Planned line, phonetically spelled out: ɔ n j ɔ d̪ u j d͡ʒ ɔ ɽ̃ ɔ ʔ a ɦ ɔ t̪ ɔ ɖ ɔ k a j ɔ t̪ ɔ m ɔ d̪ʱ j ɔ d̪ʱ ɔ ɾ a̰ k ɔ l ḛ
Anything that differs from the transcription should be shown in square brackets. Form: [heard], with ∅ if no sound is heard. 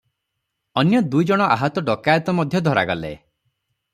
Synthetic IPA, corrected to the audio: ɔ n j ɔ d̪ u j d͡ʒ ɔ ɽ̃ ɔ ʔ a ɦ ɔ t̪ ɔ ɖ ɔ k a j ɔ t̪ ɔ m ɔ d̪ʱ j ɔ d̪ʱ ɔ ɾ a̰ [ɡ] ɔ l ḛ